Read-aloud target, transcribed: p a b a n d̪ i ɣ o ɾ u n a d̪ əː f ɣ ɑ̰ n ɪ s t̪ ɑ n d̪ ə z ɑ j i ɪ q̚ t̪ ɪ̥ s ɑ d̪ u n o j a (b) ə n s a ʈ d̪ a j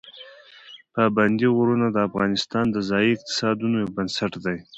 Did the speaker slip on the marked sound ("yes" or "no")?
no